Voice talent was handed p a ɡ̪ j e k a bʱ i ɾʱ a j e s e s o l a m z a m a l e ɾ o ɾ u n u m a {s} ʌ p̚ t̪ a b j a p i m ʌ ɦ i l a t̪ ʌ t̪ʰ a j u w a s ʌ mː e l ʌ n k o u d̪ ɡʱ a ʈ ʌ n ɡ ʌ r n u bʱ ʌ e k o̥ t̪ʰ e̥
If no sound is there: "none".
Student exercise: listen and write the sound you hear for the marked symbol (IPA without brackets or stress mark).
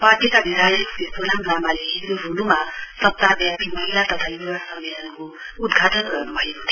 s